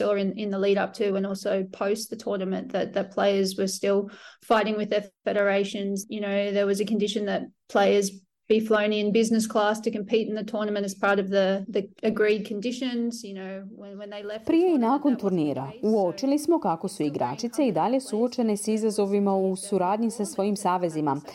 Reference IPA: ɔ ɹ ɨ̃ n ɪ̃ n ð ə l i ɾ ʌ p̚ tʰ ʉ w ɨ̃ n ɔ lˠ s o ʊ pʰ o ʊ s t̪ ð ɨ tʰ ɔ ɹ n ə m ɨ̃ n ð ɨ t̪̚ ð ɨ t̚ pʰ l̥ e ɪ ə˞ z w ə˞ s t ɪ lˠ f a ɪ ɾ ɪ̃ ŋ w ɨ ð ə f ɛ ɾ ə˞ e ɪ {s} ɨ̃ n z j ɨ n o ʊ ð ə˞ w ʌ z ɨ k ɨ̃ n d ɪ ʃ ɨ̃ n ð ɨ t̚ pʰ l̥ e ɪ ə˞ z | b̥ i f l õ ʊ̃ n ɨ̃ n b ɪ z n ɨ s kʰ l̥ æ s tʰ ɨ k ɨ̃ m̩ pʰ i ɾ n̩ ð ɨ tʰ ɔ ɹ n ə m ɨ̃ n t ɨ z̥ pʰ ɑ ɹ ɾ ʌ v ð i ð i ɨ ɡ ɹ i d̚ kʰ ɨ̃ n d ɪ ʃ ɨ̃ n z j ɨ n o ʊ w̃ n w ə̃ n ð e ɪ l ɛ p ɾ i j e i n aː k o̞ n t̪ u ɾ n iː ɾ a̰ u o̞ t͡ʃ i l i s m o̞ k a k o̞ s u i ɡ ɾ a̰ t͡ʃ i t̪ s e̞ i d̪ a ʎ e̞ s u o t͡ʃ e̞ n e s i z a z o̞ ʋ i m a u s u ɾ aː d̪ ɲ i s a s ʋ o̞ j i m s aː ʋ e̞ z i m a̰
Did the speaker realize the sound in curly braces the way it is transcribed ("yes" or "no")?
no